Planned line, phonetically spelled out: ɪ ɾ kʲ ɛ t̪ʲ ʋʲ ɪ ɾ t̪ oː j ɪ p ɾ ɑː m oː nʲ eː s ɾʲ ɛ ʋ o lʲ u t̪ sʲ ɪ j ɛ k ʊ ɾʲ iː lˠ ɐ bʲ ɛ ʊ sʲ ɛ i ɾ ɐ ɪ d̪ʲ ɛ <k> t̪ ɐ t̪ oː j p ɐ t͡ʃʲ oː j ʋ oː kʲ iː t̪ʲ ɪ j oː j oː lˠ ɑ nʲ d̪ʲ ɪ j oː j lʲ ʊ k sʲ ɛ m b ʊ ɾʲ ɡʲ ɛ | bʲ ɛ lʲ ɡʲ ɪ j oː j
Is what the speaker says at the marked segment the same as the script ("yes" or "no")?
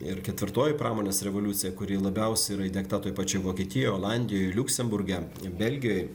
yes